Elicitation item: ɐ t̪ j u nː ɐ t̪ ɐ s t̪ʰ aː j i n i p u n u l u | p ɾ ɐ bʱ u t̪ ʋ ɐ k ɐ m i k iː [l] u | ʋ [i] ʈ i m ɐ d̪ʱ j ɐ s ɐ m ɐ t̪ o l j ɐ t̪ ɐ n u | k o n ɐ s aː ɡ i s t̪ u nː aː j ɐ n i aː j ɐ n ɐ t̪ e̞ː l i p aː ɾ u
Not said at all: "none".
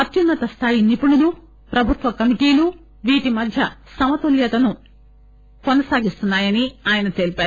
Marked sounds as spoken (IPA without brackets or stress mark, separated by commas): l, iː